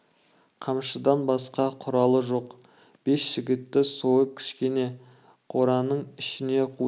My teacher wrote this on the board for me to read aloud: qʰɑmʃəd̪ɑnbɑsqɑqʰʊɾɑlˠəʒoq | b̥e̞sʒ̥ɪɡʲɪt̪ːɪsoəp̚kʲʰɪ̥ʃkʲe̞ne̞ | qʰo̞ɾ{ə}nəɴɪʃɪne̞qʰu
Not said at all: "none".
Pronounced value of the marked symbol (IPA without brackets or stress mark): ɑ